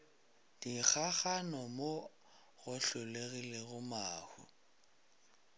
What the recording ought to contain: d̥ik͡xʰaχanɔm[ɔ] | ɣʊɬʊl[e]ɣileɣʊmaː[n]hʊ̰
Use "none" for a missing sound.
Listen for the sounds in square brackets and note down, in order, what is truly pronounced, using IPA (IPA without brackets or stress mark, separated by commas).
o, e, none